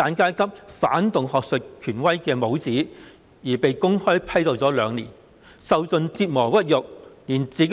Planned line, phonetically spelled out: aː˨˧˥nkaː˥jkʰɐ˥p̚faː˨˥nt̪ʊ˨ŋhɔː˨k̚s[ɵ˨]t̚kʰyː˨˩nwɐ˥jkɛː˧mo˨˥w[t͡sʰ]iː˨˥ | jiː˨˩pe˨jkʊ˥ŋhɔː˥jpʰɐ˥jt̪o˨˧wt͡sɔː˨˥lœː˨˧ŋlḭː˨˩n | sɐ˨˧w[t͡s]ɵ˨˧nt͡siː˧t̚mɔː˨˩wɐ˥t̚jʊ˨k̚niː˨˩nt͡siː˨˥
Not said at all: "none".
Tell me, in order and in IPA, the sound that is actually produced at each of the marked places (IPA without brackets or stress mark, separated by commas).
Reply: ɵ˨, t͡s, t͡s